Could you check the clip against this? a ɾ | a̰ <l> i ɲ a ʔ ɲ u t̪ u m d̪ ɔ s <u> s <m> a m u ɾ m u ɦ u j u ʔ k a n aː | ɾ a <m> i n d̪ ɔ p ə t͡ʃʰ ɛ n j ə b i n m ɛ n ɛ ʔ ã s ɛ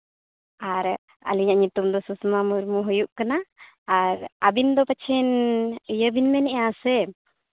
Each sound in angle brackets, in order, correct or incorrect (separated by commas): correct, correct, correct, incorrect